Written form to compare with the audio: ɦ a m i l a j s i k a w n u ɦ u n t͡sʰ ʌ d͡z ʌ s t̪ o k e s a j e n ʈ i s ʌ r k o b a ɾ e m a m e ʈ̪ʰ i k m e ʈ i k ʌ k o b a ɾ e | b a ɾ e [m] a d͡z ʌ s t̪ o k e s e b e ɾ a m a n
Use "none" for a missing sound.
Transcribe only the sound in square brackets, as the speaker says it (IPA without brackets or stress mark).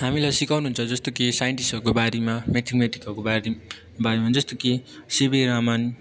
m